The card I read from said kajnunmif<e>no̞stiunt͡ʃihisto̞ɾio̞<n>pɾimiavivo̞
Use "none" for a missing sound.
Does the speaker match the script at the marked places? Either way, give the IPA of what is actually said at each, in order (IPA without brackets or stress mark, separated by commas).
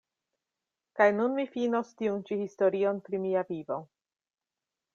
i, n